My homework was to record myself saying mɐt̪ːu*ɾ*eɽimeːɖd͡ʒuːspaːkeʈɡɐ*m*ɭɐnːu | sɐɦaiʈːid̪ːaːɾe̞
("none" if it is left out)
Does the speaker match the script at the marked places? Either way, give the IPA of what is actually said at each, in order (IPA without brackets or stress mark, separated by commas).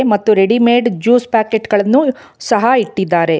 ɾ, none